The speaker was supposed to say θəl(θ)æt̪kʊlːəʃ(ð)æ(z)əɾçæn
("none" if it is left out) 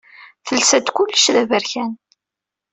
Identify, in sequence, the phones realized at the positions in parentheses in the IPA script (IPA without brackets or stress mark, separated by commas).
s, ð, v